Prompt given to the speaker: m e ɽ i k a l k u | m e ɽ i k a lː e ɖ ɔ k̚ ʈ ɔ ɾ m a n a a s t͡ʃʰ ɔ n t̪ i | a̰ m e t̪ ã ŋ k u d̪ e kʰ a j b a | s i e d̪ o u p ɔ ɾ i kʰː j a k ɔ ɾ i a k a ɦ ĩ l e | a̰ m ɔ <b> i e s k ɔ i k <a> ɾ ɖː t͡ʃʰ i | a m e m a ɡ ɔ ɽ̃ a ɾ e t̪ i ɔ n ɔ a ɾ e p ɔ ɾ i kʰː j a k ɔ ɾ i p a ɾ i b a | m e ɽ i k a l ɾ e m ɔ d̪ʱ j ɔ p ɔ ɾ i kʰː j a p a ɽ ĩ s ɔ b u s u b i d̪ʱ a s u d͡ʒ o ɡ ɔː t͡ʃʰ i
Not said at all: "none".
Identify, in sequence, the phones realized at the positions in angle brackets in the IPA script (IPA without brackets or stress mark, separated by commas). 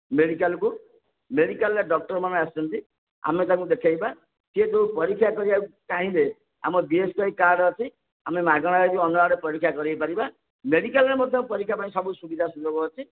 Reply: b, a